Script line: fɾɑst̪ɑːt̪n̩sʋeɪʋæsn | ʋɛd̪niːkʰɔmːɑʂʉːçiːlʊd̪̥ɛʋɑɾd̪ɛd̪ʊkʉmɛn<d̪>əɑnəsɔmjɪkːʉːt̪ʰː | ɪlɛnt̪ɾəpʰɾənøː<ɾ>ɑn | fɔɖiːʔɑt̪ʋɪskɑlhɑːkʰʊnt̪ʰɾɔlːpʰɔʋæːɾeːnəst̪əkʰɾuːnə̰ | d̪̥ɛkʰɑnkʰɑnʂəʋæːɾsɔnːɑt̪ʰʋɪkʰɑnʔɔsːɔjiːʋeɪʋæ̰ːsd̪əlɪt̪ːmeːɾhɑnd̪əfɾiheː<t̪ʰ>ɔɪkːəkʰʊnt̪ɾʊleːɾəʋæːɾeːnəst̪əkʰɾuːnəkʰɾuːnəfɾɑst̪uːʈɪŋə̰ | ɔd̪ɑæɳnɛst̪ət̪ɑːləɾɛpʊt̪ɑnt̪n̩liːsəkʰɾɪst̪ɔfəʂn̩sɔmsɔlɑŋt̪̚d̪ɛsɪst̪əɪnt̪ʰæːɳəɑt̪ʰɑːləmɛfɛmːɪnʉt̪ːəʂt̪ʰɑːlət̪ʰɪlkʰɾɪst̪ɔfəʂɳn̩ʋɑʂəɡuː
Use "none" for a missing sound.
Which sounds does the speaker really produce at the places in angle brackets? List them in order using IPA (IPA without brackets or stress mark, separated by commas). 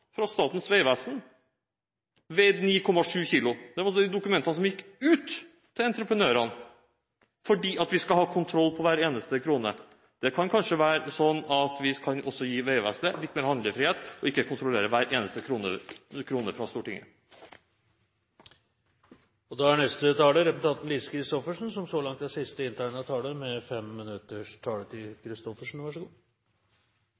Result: t̪, ɾ, t̪